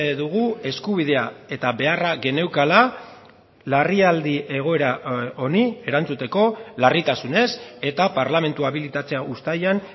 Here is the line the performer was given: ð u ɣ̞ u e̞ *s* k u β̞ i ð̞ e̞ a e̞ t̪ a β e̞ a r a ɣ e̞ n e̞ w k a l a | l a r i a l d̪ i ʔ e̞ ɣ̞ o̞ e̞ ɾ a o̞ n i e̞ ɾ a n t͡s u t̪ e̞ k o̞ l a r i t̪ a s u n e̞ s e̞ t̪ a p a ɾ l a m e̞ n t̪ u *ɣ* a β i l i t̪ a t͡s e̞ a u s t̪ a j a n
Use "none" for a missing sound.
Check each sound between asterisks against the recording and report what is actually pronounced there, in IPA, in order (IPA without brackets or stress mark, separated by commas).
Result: s, none